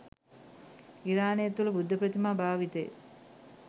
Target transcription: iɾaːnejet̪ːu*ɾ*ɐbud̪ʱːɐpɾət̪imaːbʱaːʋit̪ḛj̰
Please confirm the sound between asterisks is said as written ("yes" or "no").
no